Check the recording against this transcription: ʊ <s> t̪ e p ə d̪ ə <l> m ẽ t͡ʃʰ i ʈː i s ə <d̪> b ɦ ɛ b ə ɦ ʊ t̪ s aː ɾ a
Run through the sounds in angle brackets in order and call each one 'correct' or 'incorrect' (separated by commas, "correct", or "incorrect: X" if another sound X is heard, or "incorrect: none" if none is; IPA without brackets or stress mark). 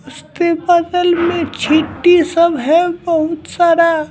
correct, correct, incorrect: none